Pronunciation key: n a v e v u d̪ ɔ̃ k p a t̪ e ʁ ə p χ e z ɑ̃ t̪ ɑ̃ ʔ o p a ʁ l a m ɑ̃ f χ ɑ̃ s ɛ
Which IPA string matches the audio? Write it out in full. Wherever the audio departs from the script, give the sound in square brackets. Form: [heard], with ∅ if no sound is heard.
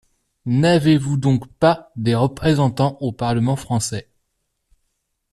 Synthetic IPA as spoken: n a v e v u d̪ ɔ̃ k p a [d̪] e ʁ ə p χ e z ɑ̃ t̪ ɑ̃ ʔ o p a ʁ l [ə] m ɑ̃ f χ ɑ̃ s ɛ